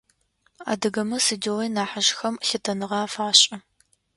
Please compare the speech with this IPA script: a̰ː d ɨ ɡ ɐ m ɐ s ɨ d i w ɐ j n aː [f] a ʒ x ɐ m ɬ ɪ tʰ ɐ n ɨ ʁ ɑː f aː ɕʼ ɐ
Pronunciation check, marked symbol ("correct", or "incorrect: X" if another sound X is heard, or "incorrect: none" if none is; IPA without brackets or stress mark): incorrect: ħ